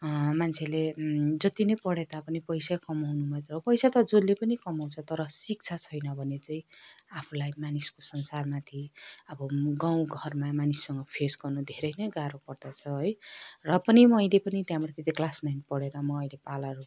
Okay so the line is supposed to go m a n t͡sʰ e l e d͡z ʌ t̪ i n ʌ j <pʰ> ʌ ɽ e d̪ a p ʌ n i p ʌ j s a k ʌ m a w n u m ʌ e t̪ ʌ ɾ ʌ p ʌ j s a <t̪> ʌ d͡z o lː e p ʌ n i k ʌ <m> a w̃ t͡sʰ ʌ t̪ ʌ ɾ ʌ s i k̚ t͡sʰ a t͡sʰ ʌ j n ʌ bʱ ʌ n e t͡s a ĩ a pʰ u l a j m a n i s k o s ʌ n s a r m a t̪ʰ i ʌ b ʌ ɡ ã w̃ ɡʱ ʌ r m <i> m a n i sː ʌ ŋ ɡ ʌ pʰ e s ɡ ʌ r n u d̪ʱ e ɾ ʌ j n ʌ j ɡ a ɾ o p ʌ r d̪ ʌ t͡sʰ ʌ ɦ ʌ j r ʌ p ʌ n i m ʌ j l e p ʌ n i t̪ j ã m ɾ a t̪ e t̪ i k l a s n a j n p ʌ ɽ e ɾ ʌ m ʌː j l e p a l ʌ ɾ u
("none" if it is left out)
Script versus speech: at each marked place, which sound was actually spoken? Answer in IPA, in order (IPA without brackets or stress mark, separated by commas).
p, t̪, m, a